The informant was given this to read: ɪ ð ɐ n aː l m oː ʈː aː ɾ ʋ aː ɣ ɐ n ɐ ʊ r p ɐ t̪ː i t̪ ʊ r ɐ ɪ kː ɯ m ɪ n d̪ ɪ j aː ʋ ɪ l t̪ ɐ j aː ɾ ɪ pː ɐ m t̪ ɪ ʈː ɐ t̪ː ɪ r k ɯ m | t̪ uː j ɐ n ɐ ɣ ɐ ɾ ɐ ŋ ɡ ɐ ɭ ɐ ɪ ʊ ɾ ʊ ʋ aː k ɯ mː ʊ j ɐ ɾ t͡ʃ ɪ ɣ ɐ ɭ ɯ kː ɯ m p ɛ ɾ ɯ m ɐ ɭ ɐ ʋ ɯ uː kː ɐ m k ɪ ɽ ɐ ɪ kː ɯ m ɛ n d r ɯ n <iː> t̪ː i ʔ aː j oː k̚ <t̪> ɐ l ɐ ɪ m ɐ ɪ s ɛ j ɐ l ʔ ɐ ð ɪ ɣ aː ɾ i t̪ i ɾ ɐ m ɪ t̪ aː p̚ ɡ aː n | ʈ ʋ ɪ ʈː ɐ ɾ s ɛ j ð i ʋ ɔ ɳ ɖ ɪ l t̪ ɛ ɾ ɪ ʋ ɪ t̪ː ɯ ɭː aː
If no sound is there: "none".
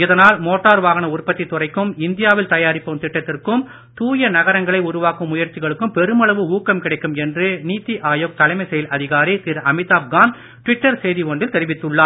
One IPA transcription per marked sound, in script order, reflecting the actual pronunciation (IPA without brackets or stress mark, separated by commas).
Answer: iː, t̪